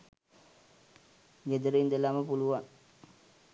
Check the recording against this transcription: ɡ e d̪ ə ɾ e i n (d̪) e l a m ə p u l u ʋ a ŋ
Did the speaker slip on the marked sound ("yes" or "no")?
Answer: no